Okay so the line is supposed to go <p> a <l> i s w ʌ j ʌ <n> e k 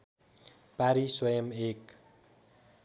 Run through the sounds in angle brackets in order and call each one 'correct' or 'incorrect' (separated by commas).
correct, incorrect, incorrect